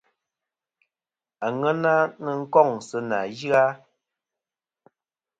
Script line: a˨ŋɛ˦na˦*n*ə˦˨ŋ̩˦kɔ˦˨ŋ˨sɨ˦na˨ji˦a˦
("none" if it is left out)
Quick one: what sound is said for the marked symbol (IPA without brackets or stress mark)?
n